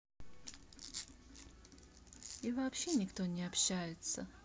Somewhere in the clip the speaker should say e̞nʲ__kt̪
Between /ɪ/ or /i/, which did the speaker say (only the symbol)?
ɪ